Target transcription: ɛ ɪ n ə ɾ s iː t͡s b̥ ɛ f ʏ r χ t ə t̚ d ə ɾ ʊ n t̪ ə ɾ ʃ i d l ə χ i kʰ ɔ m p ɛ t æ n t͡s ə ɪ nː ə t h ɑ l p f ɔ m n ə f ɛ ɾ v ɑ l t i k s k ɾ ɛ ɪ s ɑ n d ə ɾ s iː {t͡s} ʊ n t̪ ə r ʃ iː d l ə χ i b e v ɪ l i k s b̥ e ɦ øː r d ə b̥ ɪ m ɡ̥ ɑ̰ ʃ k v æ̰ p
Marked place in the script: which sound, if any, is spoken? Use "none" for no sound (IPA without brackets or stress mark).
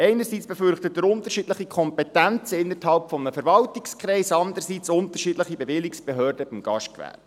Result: t͡s